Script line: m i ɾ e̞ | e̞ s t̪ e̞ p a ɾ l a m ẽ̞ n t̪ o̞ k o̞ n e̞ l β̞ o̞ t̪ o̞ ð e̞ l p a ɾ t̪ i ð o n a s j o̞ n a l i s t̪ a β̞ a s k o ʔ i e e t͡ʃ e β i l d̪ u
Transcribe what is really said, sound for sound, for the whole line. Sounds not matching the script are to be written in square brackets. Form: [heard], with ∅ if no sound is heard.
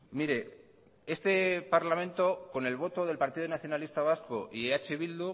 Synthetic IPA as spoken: m i ɾ e̞ | e̞ s t̪ e̞ p a ɾ l a m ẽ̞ n t̪ o̞ k o̞ n e̞ l β̞ o̞ t̪ o̞ ð e̞ l p a ɾ t̪ i ð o n a [θ] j o̞ n a l i s t̪ a β̞ a s k o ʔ i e [a] t͡ʃ e β i l d̪ u